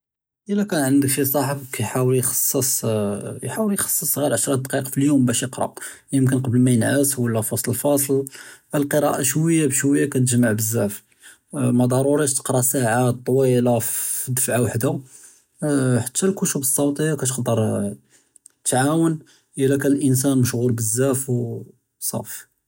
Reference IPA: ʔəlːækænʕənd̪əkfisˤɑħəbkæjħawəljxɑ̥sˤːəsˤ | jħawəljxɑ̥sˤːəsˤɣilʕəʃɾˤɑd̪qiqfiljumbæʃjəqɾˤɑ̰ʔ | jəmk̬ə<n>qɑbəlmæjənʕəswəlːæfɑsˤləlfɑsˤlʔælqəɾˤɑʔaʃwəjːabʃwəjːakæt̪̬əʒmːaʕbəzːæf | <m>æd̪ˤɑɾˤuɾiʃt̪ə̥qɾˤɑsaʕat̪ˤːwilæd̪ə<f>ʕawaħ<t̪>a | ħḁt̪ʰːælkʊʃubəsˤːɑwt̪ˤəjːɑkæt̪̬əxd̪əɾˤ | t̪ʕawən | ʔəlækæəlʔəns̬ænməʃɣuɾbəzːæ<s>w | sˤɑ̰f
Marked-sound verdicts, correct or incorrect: correct, correct, correct, incorrect, incorrect

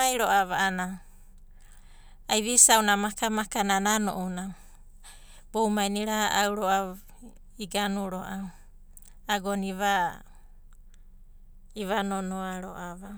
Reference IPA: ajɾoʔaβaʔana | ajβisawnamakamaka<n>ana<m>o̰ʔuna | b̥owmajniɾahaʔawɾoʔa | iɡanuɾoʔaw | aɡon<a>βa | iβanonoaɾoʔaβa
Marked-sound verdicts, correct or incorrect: correct, incorrect, incorrect

